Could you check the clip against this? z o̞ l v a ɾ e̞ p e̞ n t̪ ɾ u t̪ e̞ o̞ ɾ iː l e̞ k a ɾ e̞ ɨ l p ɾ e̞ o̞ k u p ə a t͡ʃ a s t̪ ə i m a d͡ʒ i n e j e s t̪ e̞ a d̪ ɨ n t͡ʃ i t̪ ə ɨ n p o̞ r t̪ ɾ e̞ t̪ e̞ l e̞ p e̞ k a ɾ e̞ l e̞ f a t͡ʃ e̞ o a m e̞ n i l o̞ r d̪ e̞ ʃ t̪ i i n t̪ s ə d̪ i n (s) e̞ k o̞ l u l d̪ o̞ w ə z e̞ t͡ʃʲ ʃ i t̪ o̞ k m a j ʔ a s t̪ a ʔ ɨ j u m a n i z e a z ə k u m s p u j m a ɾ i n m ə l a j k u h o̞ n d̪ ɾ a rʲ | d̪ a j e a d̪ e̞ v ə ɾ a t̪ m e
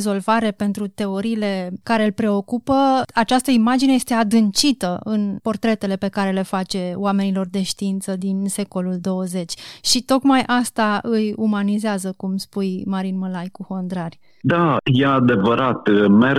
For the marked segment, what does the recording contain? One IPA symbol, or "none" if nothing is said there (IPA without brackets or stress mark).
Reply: s